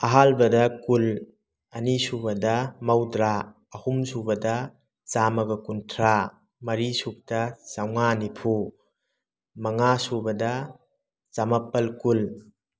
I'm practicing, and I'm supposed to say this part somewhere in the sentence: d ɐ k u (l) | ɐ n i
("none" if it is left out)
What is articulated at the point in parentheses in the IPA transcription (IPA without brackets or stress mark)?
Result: l